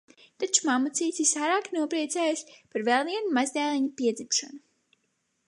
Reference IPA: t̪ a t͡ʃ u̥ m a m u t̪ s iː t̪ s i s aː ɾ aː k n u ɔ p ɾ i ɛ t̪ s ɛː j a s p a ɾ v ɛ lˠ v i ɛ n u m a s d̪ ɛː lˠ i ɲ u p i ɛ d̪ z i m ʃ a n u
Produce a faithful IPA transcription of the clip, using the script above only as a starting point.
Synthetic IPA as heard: t̪ a t͡ʃ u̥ m a m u t̪ s iː t̪ s i s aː ɾ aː k n u ɔ p ɾ i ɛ t̪ s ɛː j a s p a ɾ v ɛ lˠ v i ɛ n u m a z d̪ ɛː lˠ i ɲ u p i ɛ d̪ z i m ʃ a n u